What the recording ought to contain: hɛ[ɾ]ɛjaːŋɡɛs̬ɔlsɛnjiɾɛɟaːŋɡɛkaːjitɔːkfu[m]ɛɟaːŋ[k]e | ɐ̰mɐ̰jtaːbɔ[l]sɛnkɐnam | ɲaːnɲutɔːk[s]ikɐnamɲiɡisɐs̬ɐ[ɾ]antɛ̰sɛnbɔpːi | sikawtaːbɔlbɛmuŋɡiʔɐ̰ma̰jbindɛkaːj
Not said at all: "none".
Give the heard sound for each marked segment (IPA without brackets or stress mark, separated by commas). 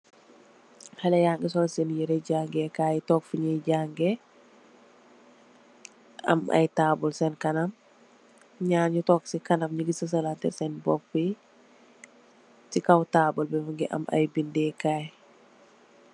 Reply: l, ɲ, ɡ, l, s, l